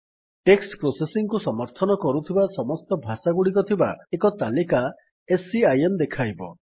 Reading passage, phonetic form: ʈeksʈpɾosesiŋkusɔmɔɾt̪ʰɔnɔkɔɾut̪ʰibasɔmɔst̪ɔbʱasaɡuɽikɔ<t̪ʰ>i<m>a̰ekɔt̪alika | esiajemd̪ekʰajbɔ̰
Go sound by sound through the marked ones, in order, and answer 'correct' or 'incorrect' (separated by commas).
correct, incorrect